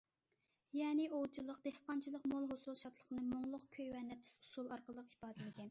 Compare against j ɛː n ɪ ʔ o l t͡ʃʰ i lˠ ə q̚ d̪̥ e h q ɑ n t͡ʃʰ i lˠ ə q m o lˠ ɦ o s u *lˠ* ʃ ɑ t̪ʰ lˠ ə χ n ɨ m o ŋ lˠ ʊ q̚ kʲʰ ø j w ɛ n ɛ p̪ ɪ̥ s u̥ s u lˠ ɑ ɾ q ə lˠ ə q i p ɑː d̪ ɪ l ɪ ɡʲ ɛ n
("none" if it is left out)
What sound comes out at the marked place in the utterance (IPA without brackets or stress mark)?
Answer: lˠ